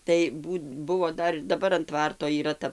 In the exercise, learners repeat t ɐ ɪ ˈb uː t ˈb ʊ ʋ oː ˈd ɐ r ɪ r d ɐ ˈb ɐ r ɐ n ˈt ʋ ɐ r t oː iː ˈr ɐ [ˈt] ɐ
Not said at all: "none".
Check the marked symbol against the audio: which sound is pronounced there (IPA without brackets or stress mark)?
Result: t